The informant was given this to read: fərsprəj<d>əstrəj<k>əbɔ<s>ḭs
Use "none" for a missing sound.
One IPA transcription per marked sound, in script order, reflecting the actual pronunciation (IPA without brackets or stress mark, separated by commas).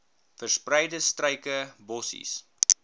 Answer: d, k, s